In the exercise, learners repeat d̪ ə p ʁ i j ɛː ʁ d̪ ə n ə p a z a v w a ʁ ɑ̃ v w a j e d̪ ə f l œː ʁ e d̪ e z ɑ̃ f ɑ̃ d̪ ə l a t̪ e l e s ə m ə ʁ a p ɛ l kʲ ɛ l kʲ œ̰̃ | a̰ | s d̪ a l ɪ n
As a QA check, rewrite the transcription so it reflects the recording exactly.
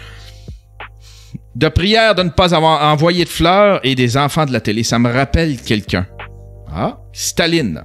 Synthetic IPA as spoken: d̪ ə p ʁ i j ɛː ʁ d̪ ə n ə p a z a v w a ʁ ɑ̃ v w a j e d̪ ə f l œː ʁ e d̪ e z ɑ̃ f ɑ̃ d̪ ə l a t̪ e l e s a m ə ʁ a p ɛ l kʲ ɛ l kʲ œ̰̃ | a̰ | s t̪ a l ɪ n